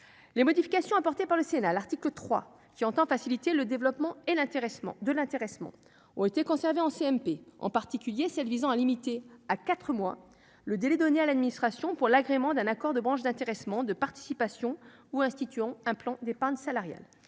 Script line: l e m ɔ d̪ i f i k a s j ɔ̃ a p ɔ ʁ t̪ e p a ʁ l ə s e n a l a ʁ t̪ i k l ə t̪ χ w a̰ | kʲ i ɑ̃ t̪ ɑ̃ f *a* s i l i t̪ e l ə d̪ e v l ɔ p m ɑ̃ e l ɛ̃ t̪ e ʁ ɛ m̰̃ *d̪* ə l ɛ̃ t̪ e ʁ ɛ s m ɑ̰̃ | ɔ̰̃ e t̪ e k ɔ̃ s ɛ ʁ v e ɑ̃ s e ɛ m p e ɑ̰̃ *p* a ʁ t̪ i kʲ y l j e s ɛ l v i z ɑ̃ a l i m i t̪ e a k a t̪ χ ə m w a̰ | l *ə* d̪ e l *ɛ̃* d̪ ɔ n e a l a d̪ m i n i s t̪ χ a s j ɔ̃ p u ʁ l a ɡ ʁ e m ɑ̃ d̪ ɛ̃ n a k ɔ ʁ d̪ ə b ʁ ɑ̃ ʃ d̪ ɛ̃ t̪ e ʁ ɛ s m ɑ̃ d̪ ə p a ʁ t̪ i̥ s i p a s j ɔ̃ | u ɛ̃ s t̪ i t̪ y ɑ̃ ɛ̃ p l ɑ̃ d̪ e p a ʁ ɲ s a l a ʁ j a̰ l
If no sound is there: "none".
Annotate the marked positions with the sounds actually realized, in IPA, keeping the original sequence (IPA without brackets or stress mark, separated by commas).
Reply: a, d̪, p, ə, ɛ